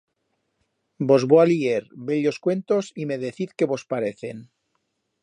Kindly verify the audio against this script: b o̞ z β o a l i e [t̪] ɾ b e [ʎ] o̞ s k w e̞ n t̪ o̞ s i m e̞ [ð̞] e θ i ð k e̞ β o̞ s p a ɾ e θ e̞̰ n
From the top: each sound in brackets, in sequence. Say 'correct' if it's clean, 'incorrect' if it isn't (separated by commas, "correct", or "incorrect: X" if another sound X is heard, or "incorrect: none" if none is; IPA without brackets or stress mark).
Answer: incorrect: none, correct, correct